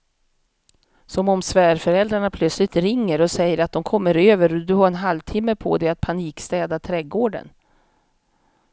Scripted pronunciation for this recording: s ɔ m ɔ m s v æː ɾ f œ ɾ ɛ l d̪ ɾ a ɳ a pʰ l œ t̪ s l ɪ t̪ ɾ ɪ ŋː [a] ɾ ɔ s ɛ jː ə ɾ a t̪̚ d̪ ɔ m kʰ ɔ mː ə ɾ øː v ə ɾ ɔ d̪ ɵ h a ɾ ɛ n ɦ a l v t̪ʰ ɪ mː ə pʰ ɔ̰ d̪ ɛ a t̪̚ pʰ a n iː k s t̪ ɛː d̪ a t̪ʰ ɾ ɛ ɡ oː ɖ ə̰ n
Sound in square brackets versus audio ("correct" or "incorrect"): incorrect